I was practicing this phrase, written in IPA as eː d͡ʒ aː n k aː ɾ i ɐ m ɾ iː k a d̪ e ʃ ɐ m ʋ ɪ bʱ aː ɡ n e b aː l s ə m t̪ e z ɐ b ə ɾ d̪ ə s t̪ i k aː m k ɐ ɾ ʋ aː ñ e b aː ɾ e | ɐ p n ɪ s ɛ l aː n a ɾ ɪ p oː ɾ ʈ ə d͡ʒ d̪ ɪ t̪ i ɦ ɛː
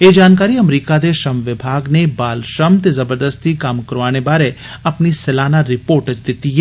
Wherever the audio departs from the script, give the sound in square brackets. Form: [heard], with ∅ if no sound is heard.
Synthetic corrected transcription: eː d͡ʒ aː n k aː ɾ i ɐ m ɾ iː k a d̪ e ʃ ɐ m ʋ ɪ bʱ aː ɡ n e b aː l [ʃ] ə m t̪ e z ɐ b ə ɾ d̪ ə s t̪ i k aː m k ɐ ɾ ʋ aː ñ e b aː ɾ e | ɐ p n [i] s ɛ l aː n a ɾ ɪ p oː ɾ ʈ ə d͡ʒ d̪ ɪ t̪ i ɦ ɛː

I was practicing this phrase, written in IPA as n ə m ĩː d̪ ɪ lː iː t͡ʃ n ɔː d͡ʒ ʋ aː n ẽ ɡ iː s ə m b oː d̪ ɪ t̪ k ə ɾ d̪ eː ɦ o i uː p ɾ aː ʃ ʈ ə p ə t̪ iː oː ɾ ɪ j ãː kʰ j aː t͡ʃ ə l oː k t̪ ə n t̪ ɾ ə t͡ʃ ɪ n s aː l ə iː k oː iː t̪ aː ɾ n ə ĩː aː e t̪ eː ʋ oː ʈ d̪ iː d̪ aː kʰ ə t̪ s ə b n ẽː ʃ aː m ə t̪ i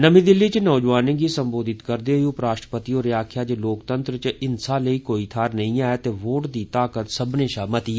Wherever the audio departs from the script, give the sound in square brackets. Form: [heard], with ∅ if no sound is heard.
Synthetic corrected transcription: n ə m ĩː d̪ ɪ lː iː t͡ʃ n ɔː d͡ʒ ʋ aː n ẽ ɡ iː s ə m b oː d̪ ɪ t̪ k ə ɾ d̪ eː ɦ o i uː p ɾ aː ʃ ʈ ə p ə t̪ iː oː ɾ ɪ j [aː] kʰ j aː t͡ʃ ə l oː k t̪ ə n t̪ ɾ ə t͡ʃ ɪ n s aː l ə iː k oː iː [t̪ʰ] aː ɾ n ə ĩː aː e t̪ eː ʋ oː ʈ d̪ iː [t̪] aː [k] ə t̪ s ə b n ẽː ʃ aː m ə t̪ i

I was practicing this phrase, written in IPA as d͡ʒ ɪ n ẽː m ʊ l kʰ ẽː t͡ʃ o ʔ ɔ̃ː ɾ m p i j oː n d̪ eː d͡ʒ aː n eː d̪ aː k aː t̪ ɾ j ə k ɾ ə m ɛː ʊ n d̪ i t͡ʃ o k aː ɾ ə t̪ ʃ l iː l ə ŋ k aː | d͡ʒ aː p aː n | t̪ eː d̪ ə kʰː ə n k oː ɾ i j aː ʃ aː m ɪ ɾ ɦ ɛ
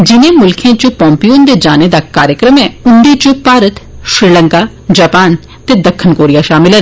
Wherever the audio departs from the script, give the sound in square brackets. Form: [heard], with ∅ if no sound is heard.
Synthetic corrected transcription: d͡ʒ ɪ n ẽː m ʊ l kʰ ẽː t͡ʃ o [p] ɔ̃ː [∅] m p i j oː n d̪ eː d͡ʒ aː n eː d̪ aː k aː [∅] ɾ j ə k ɾ ə m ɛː ʊ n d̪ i t͡ʃ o [p] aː ɾ ə t̪ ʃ [ɾ] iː l ə ŋ k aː | d͡ʒ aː p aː n | t̪ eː d̪ ə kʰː ə n k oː ɾ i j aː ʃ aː m ɪ [l] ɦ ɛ

